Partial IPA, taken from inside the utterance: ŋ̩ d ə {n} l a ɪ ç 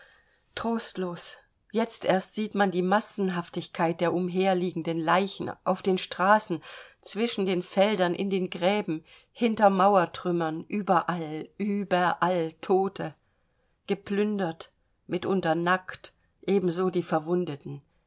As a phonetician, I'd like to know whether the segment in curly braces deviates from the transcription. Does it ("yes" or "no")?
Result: no